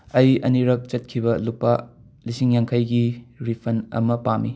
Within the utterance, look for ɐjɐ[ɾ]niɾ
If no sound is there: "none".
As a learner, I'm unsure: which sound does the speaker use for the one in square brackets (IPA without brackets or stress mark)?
none